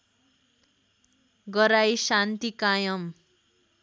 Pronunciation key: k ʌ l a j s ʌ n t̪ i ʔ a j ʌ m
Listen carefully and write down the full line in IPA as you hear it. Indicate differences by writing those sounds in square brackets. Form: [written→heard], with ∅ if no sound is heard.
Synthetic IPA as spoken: [k→ɡ] ʌ [l→ɾ] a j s [ʌ→a] n t̪ i [ʔ→k] a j ʌ m